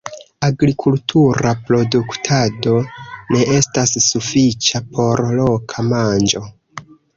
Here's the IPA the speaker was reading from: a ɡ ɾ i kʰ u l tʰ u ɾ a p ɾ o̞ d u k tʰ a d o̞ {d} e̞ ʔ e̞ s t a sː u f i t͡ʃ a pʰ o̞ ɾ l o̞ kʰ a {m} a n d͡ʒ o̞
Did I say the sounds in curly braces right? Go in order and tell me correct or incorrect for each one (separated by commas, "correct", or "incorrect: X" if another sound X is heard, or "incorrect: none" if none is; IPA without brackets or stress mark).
incorrect: n, correct